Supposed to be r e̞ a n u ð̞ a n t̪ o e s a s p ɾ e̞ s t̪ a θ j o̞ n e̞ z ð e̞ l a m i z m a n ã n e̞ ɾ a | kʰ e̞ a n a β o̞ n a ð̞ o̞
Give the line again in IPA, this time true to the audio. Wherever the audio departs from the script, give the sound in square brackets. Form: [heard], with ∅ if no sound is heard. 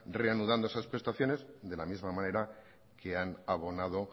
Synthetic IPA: r e̞ a n u ð̞ a n [d̪] o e s a s p ɾ e̞ s t̪ a θ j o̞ n e̞ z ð e̞ l a m i z m a [m] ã n e̞ ɾ a | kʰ e̞ a n a β o̞ n a ð̞ o̞